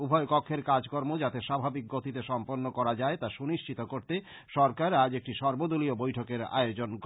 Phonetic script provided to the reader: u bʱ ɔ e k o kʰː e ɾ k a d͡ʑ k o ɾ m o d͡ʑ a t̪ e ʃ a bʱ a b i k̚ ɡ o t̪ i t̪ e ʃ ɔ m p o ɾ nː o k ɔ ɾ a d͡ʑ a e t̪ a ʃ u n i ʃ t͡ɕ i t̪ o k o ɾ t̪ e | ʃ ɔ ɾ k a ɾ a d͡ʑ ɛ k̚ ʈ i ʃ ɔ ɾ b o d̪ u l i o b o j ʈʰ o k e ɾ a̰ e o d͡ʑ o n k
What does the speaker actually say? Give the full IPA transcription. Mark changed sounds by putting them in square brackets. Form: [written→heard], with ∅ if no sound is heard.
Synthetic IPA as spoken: u bʱ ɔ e k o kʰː e ɾ k a d͡ʑ k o ɾ m o d͡ʑ a t̪ e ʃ a bʱ a b i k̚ ɡ o t̪ i t̪ e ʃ ɔ m p o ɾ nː o k ɔ ɾ a d͡ʑ a e t̪ a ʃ u n i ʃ t͡ɕ i t̪ o k o ɾ t̪ e | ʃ ɔ ɾ k a ɾ a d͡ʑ [ɛ→e] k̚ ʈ i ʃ ɔ ɾ b o d̪ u l i o b o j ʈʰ o k e ɾ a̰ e o d͡ʑ o n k